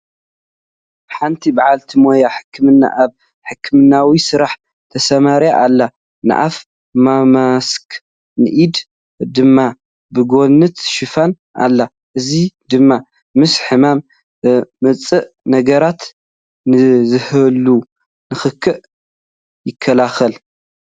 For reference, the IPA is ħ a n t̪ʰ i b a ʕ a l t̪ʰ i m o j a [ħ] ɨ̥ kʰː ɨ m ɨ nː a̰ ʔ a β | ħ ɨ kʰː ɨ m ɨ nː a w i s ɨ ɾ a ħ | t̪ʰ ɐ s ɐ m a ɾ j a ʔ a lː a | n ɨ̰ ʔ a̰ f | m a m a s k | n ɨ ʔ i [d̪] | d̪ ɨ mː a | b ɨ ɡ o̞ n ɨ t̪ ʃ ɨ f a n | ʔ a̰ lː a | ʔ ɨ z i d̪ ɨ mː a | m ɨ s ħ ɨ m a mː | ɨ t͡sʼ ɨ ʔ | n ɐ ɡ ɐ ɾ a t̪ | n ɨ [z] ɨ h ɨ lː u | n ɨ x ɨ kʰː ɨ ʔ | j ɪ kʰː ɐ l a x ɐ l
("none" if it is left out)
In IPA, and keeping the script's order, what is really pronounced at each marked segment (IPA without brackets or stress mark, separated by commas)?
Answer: ħ, d̪, z